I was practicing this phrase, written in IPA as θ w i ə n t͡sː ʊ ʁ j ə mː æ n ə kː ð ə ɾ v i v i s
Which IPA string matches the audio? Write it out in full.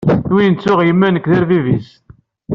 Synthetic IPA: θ w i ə n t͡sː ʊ ʁ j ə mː æ n ə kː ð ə ɾ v i v i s